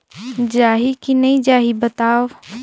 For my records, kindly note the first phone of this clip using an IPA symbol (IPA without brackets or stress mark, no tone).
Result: d͡ʒ